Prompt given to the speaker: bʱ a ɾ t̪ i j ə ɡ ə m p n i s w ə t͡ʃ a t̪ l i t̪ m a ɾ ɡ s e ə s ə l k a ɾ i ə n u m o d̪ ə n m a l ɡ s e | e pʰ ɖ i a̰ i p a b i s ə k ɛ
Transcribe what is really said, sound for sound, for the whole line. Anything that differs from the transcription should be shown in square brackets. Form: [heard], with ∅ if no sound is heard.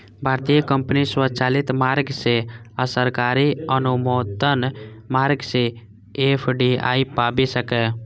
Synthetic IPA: bʱ a ɾ t̪ i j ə [k] ə m p n i s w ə t͡ʃ a [∅] l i t̪ m a ɾ ɡ s e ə s ə [ɾ] k a ɾ i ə n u m o d̪ ə n m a [ɾ] ɡ s e | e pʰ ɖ i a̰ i p a b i s ə k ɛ